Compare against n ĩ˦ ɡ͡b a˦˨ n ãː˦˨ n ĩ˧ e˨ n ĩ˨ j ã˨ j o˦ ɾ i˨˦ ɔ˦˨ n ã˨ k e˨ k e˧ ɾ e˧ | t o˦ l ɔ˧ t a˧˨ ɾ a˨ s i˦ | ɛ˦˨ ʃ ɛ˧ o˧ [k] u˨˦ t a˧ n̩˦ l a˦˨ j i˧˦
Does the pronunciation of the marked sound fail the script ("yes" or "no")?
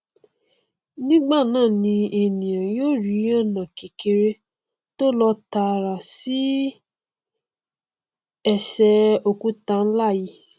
no